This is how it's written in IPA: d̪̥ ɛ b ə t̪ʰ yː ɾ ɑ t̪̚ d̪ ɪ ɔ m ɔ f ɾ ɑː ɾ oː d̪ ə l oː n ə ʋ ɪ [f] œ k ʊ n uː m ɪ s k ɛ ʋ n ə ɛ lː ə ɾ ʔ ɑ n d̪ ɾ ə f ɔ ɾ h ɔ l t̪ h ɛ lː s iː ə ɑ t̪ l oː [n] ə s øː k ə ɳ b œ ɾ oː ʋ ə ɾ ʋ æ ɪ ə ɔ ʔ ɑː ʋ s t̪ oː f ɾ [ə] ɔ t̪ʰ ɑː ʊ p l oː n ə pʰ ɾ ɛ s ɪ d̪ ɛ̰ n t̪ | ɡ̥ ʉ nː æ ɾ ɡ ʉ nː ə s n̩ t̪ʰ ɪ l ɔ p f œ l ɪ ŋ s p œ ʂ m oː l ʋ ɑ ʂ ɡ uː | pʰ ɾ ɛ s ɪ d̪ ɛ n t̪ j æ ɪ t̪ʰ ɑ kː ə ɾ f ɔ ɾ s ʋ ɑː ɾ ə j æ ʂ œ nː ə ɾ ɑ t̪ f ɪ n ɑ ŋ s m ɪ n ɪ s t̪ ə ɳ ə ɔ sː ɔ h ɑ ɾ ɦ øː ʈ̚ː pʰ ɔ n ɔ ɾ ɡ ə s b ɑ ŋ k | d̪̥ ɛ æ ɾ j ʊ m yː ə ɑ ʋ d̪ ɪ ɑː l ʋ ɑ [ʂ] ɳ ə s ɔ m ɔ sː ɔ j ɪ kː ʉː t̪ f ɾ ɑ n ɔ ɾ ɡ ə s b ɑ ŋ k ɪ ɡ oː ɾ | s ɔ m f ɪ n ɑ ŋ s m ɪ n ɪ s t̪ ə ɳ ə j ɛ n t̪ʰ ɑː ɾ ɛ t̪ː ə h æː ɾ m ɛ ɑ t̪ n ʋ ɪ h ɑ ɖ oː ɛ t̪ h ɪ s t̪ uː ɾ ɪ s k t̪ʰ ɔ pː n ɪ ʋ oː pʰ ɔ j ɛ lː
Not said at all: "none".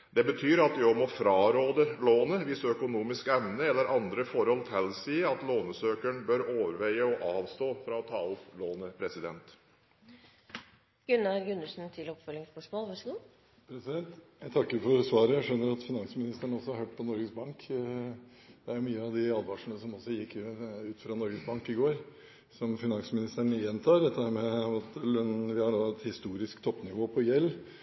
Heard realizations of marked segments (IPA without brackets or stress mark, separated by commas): s, n, ɑ, ʂ